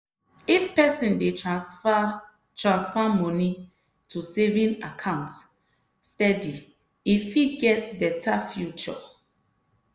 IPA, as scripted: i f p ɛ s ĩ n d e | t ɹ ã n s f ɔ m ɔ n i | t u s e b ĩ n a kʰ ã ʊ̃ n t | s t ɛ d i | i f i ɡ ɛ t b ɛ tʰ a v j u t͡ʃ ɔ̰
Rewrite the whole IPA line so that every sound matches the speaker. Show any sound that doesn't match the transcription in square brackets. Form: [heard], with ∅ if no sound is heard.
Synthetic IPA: i f p ɛ s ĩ n d e | t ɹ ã n s f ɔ m ɔ n i | t u s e [v] ĩ n a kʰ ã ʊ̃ n t | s t ɛ d i | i f i ɡ ɛ t b ɛ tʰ a [f] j u t͡ʃ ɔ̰